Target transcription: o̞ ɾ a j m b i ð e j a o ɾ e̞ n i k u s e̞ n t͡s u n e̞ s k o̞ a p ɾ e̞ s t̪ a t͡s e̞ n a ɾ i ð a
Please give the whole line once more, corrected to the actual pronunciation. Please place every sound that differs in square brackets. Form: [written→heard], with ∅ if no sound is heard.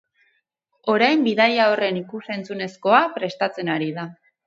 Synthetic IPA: o̞ ɾ a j m b i ð [e→a] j a o [ɾ→r] e̞ n i k u s e̞ n t͡s u n e̞ s k o̞ a p ɾ e̞ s t̪ a t͡s e̞ n a ɾ i ð a